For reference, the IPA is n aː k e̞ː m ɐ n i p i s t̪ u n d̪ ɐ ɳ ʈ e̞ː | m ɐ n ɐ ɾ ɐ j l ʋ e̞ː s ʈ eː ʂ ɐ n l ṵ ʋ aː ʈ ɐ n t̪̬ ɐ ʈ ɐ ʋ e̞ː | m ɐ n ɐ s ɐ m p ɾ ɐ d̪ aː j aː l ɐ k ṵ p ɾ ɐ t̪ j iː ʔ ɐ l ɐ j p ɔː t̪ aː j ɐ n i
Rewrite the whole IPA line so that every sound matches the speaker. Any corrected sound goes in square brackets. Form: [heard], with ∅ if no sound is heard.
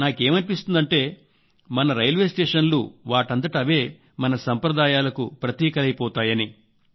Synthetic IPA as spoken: n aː k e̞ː m ɐ n i p i s t̪ u n d̪ ɐ ɳ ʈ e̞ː | m ɐ n ɐ ɾ ɐ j l ʋ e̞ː s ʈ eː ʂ ɐ n l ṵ ʋ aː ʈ ɐ n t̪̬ ɐ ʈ ɐ ʋ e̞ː | m ɐ n ɐ s ɐ m p ɾ ɐ d̪ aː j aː l ɐ k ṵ p ɾ ɐ t̪ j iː [k] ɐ l ɐ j p ɔː t̪ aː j ɐ n i